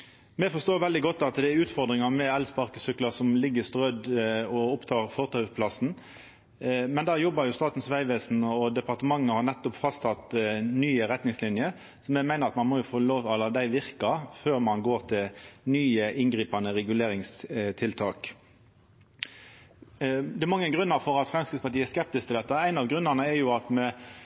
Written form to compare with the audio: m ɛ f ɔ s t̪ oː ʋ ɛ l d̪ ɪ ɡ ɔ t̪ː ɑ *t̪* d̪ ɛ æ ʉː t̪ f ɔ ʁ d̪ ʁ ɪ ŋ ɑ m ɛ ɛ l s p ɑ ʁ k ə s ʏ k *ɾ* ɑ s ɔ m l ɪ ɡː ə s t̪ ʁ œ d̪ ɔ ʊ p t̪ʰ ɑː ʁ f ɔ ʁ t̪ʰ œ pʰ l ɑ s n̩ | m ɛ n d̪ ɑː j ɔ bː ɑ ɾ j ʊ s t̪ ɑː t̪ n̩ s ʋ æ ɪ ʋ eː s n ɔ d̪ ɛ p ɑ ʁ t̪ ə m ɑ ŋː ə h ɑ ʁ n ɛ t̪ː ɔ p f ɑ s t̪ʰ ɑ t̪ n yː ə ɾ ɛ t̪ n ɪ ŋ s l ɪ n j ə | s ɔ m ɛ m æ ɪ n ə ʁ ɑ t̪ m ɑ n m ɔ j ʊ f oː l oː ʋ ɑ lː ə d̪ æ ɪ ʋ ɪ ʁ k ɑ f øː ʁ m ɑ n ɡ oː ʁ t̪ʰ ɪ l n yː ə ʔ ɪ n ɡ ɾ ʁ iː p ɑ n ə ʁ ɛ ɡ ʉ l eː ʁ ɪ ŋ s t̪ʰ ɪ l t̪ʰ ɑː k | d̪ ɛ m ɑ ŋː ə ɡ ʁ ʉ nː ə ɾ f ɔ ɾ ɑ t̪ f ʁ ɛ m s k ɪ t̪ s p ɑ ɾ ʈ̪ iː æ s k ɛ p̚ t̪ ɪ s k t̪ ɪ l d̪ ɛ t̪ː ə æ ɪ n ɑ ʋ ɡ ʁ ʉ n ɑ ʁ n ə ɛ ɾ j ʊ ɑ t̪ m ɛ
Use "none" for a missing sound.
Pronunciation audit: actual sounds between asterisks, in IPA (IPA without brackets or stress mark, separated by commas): t̪, l